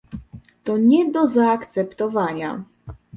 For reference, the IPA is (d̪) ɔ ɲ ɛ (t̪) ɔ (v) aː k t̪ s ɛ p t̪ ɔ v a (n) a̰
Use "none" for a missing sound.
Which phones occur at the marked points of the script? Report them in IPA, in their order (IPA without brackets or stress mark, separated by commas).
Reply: t̪, d̪, z, ɲ